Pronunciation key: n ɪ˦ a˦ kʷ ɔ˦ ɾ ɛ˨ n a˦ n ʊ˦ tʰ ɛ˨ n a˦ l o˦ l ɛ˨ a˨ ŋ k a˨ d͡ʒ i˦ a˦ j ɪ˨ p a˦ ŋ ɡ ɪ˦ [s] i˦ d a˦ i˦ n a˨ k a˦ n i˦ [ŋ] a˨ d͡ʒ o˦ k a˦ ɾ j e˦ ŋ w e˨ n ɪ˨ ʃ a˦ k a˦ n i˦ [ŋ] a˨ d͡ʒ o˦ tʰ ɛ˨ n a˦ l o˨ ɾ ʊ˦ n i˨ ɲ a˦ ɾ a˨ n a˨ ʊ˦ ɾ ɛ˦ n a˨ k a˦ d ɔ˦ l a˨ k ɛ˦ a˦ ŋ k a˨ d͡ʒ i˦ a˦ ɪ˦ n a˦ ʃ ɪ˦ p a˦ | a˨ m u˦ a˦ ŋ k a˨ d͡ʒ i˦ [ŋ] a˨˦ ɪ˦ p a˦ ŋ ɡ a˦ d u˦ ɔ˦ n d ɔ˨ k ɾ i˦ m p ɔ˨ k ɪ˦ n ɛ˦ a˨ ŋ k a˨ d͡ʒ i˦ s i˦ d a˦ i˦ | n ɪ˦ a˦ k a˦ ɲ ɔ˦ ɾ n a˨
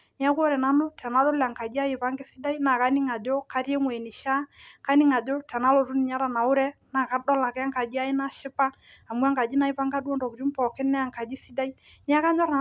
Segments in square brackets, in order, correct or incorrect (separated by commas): correct, correct, correct, incorrect